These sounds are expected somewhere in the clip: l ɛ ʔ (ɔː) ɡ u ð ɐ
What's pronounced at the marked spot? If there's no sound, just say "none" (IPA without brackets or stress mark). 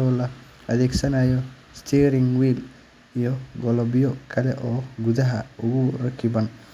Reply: ɔː